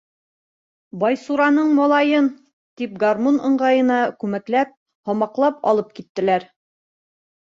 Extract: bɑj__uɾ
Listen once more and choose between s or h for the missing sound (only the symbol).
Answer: s